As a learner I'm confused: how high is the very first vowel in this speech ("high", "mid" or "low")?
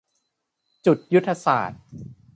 high